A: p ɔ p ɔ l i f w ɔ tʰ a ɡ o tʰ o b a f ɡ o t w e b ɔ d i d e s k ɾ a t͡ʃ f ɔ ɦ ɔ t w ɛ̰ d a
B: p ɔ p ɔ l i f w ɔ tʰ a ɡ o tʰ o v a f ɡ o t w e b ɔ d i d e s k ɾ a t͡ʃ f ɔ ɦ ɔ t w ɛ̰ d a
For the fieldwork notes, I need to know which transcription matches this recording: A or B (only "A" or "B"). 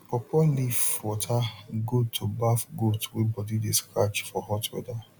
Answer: A